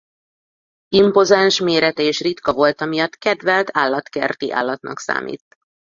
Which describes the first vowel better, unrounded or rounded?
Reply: unrounded